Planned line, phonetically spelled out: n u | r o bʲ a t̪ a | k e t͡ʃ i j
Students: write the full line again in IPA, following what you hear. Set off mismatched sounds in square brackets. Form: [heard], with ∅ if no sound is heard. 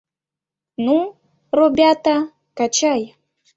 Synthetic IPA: n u | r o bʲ a t̪ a | k [a] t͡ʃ [a] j